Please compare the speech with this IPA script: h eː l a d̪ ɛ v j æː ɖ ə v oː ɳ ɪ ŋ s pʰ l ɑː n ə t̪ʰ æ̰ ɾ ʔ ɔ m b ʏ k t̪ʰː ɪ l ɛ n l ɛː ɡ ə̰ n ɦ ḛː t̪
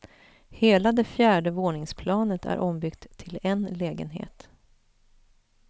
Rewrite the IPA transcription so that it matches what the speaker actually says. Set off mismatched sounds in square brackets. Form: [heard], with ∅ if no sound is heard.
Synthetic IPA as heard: h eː l a d̪ ɛ [f] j æː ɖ ə v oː ɳ ɪ ŋ s pʰ l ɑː n ə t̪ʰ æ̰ ɾ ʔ ɔ m b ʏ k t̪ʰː ɪ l ɛ n l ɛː ɡ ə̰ n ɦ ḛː t̪